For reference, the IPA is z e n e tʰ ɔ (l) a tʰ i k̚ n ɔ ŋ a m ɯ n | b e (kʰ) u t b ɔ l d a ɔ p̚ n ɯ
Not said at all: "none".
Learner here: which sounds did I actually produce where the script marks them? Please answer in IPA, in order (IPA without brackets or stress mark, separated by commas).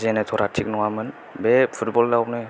ɾ, pʰ